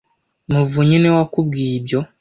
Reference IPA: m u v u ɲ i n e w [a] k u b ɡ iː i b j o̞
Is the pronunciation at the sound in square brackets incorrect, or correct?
correct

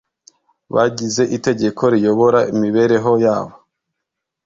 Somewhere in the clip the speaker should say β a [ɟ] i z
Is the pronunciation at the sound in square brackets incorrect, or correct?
correct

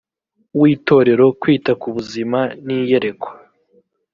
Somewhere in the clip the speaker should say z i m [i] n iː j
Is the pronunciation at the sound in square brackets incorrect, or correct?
incorrect: a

